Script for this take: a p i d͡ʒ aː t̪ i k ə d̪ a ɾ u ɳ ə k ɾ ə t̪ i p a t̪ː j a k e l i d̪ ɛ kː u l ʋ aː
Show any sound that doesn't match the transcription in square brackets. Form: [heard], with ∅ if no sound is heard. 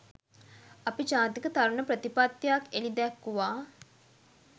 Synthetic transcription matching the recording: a p i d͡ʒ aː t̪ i k ə [t̪] a ɾ u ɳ ə [p] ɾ ə t̪ i p a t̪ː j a k e l i d̪ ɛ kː u [∅] ʋ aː